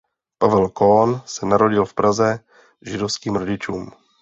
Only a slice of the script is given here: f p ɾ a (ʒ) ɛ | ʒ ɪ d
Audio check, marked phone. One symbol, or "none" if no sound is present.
z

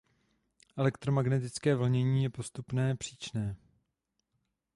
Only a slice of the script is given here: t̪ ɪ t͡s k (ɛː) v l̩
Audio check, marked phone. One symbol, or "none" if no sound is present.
ɛː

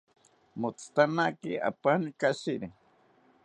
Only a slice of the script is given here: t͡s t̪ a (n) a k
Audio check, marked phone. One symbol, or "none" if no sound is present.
n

